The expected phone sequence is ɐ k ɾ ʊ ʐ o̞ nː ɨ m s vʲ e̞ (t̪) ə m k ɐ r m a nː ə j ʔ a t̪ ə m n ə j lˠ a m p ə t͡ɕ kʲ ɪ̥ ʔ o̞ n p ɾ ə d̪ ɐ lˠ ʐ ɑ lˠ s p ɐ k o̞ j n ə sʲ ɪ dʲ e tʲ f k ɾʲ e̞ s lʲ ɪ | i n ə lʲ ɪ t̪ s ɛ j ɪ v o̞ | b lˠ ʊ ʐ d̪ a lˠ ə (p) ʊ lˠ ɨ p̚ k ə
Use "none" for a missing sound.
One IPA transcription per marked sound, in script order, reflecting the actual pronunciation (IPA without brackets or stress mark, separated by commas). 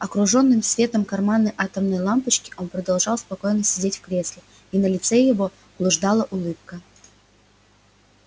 t̪, ʔ